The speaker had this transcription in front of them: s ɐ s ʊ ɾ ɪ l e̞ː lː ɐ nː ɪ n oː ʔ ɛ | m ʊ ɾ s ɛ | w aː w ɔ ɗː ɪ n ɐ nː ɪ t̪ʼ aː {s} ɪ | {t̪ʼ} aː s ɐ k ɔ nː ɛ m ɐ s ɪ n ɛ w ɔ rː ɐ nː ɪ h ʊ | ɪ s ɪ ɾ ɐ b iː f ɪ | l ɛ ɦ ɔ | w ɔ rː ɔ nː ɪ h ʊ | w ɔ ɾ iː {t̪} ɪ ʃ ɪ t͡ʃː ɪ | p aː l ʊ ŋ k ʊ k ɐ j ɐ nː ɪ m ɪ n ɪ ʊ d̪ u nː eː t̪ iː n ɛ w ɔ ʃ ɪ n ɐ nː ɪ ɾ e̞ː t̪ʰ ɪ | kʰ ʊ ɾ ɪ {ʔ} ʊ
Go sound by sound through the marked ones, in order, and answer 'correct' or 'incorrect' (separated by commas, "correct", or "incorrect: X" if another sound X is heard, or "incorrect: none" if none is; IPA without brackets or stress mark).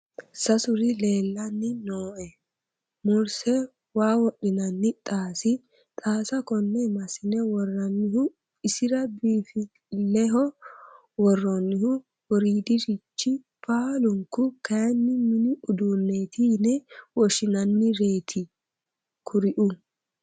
correct, correct, incorrect: d̪, correct